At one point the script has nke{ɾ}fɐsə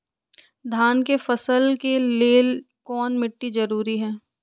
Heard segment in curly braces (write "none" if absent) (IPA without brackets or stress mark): none